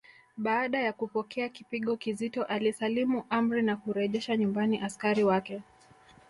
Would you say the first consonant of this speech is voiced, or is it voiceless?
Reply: voiced